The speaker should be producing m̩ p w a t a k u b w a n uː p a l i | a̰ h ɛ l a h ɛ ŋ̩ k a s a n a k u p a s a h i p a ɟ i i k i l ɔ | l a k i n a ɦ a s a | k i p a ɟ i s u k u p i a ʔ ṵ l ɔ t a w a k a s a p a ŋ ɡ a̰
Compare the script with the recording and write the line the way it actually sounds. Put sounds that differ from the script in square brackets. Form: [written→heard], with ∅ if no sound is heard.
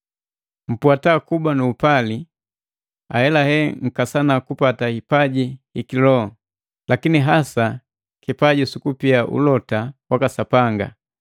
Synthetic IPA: m̩ p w a t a k u b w a n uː p a l i | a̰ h ɛ l a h ɛ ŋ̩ k a s a n a k u p a [s→t] a h i p a ɟ i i k i l ɔ | l a k i n [a→i] ɦ a s a | k i p a ɟ i s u k u p i a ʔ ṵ l ɔ t a w a k a s a p a ŋ ɡ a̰